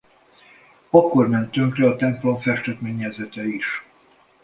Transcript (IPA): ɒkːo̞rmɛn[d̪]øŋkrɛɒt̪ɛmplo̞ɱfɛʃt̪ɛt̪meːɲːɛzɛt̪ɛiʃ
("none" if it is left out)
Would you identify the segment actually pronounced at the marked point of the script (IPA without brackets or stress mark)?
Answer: t̪